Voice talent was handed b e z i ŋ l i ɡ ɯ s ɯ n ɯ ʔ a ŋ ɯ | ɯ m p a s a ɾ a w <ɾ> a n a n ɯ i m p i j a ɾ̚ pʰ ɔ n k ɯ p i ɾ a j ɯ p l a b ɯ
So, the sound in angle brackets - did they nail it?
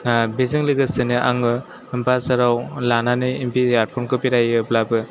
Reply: no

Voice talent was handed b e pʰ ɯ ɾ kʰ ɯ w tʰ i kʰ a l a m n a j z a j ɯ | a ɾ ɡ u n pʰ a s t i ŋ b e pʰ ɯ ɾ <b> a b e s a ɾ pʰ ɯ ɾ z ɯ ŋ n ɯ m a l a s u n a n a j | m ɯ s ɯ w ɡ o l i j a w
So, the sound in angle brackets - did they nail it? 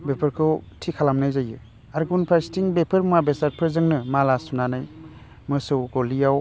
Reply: no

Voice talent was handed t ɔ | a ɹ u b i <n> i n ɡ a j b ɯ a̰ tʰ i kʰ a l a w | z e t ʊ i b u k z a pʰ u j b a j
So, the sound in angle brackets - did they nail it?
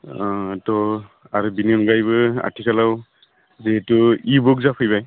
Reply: yes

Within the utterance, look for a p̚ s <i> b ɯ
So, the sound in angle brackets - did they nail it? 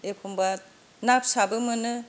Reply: no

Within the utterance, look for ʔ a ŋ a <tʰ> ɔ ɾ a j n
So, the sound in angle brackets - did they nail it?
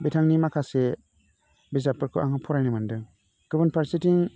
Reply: no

